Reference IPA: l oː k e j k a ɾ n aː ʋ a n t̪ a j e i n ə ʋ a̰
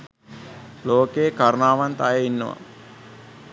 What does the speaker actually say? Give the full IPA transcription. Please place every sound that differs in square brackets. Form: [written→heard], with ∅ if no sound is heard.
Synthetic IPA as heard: l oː k e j k a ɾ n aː ʋ a n t̪ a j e i [n→nː] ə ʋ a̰